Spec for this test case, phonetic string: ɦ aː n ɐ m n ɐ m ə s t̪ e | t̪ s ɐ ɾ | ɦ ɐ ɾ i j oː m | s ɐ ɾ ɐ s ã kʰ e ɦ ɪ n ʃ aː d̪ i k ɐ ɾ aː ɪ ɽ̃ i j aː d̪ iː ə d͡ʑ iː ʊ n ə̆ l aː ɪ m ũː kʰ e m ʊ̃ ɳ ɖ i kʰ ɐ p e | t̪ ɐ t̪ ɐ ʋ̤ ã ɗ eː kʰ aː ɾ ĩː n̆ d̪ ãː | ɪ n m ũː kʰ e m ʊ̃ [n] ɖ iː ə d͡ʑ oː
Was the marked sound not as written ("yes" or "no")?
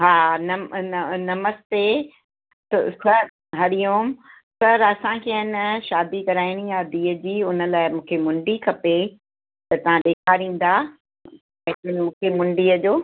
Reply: yes